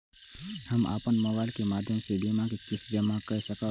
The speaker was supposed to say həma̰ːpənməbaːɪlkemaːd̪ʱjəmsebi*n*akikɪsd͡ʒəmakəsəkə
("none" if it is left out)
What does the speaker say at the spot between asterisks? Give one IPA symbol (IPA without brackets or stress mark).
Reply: m